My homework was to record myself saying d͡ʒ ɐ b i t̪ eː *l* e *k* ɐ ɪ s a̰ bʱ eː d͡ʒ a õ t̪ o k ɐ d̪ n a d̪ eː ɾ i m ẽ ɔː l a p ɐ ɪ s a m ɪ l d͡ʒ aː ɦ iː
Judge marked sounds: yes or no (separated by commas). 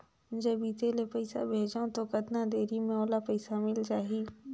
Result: yes, no